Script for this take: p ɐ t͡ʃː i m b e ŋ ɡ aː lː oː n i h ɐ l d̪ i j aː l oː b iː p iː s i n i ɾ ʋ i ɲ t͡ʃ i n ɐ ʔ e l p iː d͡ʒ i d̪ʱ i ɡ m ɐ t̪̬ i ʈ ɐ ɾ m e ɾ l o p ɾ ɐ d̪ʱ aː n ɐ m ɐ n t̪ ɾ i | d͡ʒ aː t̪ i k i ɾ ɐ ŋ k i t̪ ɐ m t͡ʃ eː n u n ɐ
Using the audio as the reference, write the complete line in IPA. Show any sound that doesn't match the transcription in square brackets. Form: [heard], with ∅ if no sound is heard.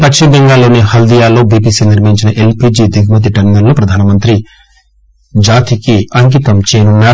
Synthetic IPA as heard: p ɐ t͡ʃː i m b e ŋ ɡ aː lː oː n i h ɐ l d̪ i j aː l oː b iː p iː s i n i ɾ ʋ i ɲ t͡ʃ i n ɐ ʔ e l p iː d͡ʒ i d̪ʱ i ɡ m ɐ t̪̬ i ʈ ɐ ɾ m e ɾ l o p ɾ ɐ d̪ʱ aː n ɐ m ɐ n t̪ ɾ i | d͡ʒ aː t̪ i k i [∅] ɐ ŋ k i t̪ ɐ m t͡ʃ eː n u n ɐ